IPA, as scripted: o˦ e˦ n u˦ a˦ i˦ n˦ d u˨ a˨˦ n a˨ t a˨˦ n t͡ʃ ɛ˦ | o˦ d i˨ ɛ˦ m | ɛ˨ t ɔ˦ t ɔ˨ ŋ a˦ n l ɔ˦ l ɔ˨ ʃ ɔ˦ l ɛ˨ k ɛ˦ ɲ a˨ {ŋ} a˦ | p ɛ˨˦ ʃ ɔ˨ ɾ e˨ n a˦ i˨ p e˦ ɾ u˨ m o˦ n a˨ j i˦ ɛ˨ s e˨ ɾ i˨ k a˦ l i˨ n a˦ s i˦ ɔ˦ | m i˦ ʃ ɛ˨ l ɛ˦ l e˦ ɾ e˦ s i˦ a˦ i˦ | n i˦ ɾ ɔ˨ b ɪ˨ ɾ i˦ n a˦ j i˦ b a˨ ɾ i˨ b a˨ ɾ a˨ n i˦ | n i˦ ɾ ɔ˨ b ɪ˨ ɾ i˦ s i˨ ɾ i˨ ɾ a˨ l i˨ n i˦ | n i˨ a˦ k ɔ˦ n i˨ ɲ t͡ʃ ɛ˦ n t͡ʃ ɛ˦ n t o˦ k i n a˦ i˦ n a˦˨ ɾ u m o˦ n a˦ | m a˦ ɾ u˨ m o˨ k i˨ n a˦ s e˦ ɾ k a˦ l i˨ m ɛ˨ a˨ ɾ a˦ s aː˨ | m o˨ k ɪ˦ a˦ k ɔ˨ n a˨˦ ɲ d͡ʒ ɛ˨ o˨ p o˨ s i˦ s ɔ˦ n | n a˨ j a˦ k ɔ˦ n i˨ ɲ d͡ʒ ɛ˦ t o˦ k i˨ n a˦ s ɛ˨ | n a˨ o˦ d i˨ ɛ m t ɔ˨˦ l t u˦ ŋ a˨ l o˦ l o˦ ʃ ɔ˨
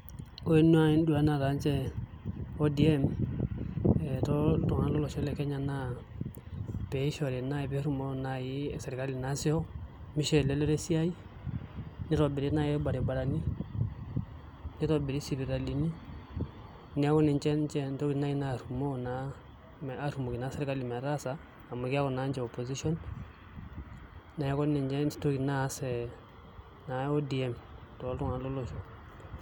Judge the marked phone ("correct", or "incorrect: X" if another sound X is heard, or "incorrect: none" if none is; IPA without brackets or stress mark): incorrect: n